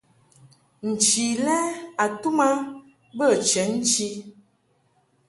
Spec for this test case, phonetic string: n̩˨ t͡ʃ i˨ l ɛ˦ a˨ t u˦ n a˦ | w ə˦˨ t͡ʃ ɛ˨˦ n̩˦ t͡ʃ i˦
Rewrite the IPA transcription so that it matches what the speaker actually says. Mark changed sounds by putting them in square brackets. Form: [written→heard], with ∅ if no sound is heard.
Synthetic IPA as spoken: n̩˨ t͡ʃ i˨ l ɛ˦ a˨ t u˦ [n→m] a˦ | [w→b] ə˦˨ t͡ʃ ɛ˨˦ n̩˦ t͡ʃ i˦